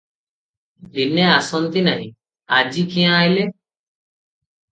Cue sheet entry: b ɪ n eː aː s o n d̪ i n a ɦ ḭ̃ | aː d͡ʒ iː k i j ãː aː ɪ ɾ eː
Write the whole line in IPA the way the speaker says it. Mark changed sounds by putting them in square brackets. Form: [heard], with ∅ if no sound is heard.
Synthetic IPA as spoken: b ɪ n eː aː s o n [t̪] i n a ɦ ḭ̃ | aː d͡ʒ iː k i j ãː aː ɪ [l] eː